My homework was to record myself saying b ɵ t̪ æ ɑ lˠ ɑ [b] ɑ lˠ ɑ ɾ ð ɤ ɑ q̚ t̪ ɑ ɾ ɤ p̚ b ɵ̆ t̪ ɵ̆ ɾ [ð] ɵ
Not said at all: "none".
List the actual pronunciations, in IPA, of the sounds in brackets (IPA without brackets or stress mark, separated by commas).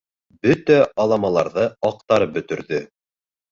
m, ð